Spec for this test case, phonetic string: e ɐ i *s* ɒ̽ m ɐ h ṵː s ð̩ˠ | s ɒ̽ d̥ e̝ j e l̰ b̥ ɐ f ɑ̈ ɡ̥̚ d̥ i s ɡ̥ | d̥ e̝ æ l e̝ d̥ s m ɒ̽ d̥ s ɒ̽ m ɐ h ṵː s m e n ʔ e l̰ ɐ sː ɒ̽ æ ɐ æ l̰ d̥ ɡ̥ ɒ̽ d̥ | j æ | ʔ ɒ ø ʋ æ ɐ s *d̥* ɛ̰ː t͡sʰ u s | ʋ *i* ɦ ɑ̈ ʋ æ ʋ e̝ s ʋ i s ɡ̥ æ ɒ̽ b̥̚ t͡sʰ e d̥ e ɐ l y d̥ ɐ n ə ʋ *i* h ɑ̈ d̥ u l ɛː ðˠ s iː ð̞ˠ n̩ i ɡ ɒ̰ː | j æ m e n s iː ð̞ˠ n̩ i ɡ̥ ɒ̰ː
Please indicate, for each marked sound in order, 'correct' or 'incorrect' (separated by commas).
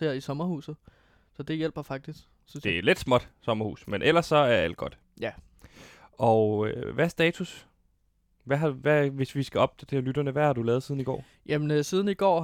correct, correct, incorrect, incorrect